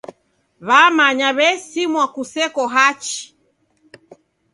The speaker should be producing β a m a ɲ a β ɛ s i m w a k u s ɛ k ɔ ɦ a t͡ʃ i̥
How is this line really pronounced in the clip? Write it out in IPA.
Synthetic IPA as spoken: β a m a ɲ a β ɛ s i m w a k u s ɛ k ɔ ɦ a t͡ʃ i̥